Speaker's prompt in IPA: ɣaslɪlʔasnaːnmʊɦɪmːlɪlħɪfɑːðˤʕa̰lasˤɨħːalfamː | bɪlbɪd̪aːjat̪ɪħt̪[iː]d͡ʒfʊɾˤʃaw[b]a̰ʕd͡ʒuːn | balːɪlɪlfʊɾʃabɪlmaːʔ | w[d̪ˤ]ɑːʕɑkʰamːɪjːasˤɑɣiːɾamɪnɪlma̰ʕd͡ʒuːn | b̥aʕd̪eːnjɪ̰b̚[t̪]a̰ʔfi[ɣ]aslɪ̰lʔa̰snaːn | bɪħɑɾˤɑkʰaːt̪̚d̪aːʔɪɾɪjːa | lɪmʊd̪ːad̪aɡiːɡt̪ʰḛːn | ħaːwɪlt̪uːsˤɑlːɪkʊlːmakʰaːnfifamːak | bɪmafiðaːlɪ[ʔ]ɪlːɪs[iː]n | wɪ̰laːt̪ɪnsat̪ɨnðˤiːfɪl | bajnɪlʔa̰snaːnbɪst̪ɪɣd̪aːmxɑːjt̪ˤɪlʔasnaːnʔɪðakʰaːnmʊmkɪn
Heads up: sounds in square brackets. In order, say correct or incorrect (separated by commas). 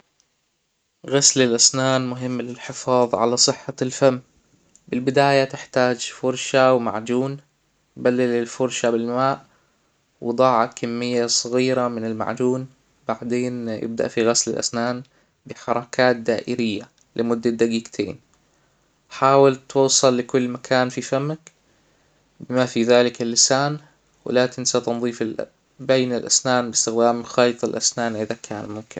incorrect, incorrect, correct, incorrect, correct, incorrect, incorrect